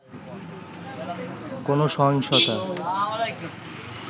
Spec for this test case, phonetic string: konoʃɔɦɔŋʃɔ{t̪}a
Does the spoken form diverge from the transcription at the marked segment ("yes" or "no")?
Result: no